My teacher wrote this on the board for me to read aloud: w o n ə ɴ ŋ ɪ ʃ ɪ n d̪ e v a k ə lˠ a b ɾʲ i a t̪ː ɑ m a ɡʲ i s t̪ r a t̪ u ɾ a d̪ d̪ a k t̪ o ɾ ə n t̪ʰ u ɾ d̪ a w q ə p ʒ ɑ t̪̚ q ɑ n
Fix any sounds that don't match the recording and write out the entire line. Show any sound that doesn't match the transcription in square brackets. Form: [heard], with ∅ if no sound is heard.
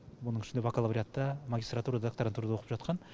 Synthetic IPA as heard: w o n ə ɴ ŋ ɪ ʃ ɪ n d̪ e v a k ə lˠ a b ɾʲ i a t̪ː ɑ m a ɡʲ i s t̪ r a t̪ u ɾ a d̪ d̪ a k t̪ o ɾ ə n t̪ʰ u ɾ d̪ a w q ə p ʒ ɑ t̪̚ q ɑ n